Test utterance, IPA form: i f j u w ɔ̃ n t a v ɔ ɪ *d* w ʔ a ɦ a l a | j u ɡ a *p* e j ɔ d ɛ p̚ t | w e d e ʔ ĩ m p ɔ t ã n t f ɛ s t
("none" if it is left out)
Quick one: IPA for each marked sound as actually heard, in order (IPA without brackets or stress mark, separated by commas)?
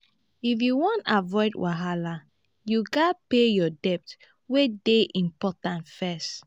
d, p